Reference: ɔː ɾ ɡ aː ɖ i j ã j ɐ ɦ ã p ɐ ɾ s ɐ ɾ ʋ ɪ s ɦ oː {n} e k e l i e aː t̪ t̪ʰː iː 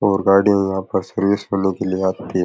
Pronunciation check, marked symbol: correct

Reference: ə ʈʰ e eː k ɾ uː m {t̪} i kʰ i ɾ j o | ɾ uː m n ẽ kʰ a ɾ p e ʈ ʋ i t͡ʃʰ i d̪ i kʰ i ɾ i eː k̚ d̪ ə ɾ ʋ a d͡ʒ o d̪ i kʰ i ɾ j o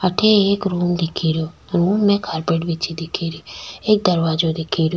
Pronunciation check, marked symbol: incorrect: d̪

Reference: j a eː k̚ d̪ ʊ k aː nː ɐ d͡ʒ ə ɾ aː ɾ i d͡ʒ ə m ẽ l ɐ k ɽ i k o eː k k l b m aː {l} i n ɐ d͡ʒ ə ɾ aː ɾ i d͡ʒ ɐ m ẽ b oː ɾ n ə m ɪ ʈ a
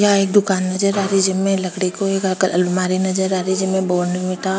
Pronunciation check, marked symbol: incorrect: ɾ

